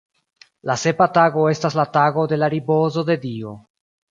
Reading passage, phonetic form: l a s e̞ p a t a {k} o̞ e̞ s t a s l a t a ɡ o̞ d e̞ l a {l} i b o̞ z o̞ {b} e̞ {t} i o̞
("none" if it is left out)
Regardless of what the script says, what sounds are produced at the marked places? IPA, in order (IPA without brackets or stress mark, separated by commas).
ɡ, ɾ, d, d